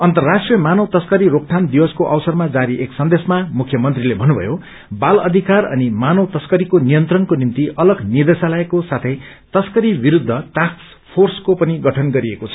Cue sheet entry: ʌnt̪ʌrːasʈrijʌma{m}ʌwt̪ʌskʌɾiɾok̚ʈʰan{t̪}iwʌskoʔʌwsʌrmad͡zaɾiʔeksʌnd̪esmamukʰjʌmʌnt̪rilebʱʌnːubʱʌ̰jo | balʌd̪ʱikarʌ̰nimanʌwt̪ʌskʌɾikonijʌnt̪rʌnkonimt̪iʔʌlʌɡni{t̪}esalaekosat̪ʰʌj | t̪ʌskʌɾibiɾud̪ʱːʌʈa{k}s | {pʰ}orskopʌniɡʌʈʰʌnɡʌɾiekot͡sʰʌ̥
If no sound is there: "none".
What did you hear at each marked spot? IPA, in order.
n, d̪, d̪, k, pʰ

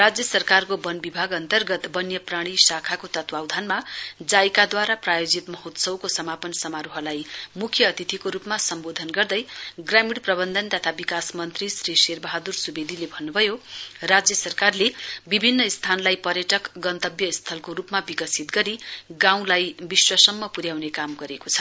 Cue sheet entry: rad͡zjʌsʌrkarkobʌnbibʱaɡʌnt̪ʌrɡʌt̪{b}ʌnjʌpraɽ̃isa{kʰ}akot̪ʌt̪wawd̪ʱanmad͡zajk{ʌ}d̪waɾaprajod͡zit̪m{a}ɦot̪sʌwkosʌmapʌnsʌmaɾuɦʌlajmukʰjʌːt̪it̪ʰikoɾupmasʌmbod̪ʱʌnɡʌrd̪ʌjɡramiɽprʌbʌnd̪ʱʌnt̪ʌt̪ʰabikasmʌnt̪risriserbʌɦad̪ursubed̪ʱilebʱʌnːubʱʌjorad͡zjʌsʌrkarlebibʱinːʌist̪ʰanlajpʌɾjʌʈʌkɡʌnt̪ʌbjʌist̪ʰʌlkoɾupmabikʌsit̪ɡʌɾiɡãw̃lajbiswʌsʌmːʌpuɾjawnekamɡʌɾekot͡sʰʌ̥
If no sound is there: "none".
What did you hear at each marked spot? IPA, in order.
b, kʰ, a, ʌ

